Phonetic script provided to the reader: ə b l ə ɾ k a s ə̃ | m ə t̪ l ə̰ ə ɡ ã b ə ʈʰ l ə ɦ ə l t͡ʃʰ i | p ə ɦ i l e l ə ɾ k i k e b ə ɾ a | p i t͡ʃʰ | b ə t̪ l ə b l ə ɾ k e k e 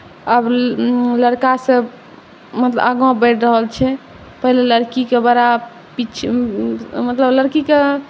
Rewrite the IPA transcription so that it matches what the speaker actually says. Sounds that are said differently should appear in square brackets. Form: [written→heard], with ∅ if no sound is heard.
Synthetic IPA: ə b l ə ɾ k a s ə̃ | m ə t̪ l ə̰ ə ɡ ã b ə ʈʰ [l→ɾ] ə ɦ ə l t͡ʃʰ [i→ɛ] | p ə ɦ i l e l ə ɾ k i k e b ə ɾ a | p i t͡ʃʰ | [b→m] ə t̪ l ə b l ə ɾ k [e→i] k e